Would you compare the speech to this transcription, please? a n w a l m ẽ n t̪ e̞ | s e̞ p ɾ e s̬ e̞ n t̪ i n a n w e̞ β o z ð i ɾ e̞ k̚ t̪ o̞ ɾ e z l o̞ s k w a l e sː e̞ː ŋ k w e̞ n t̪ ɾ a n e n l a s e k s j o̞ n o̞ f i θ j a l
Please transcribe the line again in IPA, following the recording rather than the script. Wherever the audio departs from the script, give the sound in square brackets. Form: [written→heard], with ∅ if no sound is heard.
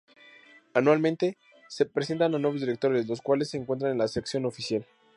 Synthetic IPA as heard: a n w a l m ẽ n t̪ e̞ | s e̞ p ɾ e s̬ e̞ n t̪ [i→a] n a n w e̞ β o z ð i ɾ e̞ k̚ t̪ o̞ ɾ e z l o̞ s k w a l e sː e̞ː ŋ k w e̞ n t̪ ɾ a n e n l a s e k s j o̞ n o̞ f i [θ→s] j a l